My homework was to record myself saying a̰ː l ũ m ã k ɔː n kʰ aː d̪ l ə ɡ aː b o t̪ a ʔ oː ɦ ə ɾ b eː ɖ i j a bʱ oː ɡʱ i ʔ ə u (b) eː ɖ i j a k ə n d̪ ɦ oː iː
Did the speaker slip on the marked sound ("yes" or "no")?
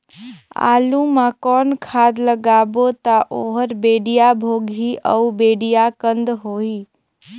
no